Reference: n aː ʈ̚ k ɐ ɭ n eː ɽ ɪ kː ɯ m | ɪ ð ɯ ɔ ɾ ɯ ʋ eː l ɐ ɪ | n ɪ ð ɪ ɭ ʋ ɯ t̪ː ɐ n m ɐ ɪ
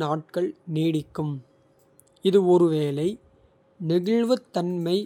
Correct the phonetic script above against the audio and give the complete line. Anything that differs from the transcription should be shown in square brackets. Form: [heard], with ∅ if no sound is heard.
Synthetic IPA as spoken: n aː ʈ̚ k ɐ ɭ n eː ɽ ɪ kː ɯ m | ɪ ð ɯ ɔ ɾ ɯ ʋ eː l ɐ ɪ | n ɪ [ɣ] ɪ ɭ ʋ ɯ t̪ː ɐ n m ɐ ɪ